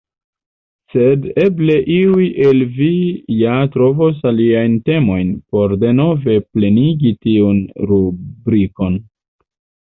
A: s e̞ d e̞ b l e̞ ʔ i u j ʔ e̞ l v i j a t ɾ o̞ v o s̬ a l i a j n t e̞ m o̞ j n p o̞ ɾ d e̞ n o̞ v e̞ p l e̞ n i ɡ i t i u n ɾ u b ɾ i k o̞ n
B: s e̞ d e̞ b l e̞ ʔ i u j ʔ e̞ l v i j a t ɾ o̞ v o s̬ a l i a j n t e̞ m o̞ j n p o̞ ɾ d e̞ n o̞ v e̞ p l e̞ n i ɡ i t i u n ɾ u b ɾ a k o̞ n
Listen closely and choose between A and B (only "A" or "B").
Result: A